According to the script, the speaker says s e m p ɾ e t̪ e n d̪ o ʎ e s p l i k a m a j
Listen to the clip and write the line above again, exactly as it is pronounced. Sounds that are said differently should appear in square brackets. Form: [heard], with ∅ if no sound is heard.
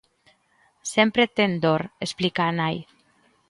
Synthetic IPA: s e m p ɾ e t̪ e n d̪ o [ɾ] e s p l i k a [n] a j